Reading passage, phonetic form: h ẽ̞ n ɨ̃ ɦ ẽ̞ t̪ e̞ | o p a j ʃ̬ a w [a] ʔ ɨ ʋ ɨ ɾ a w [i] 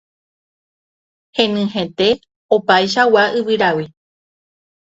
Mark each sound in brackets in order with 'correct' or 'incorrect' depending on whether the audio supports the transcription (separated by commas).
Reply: correct, correct